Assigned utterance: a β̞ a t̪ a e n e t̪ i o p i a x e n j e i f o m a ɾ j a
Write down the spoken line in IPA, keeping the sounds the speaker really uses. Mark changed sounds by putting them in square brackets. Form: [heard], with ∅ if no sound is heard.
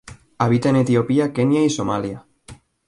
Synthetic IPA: a β̞ [i] t̪ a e n e t̪ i o p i a [k] e n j [a] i [s] o m a [l] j a